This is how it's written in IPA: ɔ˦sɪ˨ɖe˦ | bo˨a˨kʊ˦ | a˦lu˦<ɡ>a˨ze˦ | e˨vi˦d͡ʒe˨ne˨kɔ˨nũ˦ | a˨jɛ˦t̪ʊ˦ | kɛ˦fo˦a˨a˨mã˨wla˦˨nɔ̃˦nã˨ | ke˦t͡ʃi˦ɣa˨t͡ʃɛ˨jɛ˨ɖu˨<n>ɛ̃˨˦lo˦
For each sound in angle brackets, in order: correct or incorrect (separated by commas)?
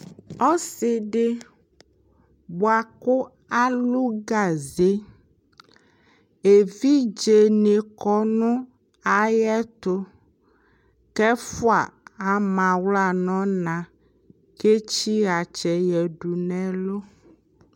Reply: correct, correct